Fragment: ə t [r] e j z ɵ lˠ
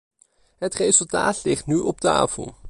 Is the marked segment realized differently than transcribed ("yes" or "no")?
no